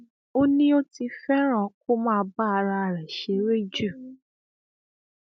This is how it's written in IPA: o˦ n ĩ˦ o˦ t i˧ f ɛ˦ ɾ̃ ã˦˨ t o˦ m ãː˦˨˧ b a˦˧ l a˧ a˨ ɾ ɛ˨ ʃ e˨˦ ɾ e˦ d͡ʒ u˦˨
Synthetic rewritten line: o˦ n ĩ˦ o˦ t i˧ f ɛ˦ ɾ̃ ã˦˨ k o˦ m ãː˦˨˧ b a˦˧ ɾ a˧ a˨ ɾ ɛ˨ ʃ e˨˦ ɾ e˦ d͡ʒ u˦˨